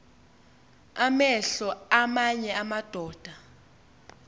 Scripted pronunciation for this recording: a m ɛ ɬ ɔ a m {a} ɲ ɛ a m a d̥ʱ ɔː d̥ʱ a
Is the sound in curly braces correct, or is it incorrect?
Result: correct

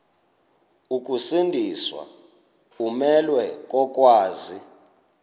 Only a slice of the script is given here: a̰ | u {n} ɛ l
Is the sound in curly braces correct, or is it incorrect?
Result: incorrect: m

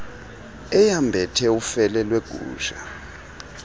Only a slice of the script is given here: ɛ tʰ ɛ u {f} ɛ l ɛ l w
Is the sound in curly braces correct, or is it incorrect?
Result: correct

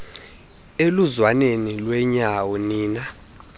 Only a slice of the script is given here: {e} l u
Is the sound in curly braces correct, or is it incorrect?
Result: correct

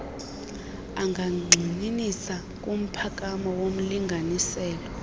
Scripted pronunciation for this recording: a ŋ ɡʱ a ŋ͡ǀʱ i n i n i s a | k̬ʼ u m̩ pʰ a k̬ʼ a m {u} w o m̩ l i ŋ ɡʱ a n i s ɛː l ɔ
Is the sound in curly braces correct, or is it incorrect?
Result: incorrect: ɔ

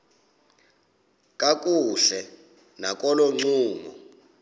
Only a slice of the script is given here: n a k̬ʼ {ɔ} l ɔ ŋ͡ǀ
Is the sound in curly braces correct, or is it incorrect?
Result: correct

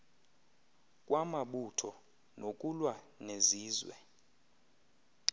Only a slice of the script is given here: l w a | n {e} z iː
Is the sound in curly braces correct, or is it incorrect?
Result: correct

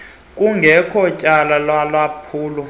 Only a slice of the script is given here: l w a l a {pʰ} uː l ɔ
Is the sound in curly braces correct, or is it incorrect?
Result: correct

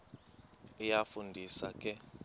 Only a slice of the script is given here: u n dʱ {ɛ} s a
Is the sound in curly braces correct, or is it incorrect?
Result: incorrect: i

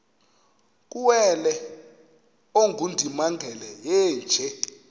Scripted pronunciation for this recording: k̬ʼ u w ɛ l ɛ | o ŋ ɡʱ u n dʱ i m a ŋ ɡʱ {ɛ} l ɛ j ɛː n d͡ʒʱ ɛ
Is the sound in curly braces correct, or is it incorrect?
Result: correct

